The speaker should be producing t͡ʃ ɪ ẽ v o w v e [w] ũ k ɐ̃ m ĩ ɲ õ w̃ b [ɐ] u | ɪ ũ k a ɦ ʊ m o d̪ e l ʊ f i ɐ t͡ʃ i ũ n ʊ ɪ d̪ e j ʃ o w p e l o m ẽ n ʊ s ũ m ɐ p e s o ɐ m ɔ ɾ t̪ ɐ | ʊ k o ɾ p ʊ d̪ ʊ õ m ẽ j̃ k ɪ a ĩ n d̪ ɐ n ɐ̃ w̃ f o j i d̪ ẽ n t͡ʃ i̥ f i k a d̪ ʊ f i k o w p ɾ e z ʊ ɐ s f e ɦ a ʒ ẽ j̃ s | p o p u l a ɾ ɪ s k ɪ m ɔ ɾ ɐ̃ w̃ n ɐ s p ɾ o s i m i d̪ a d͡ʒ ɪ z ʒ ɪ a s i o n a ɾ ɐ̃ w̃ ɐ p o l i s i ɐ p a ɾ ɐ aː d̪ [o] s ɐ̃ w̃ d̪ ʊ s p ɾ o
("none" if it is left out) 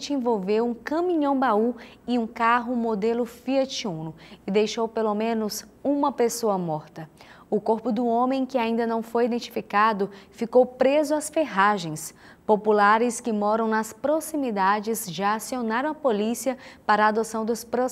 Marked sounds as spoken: w, a, o

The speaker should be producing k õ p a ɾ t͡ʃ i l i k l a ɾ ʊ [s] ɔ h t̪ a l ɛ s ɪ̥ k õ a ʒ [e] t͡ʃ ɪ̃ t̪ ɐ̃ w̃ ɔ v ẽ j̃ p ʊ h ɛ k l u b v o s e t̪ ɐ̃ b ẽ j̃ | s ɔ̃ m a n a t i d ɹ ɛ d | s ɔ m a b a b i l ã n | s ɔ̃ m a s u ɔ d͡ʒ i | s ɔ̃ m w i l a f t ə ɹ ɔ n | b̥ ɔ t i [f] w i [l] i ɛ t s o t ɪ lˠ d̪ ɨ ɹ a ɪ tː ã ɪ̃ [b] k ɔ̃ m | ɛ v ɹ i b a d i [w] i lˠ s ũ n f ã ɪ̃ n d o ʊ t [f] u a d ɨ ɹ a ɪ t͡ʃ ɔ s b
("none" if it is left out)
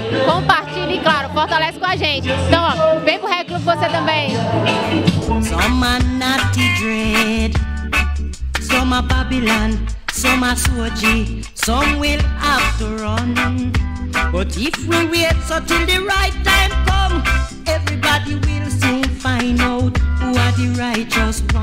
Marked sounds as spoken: f, ẽ, f, ɹ, m, w, h

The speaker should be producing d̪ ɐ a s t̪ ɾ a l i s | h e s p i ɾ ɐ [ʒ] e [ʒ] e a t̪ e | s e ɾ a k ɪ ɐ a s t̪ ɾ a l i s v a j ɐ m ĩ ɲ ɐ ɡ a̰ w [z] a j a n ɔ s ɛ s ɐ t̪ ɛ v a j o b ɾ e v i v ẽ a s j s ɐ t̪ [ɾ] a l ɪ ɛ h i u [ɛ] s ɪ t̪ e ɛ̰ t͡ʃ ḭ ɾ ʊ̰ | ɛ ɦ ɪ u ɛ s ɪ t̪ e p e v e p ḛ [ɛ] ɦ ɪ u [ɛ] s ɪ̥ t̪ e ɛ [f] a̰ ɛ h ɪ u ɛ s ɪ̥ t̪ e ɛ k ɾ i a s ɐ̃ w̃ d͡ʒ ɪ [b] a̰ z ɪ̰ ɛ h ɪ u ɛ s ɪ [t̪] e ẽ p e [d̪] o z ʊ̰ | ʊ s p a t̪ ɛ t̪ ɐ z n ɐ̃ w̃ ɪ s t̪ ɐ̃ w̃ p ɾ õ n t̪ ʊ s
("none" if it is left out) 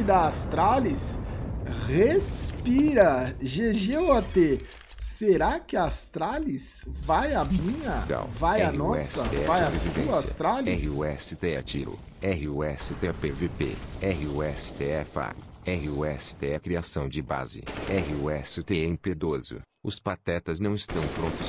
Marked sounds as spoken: ʒ, ʒ, v, ɾ, ɛ, ɛ, ɛ, f, b, t̪, d̪

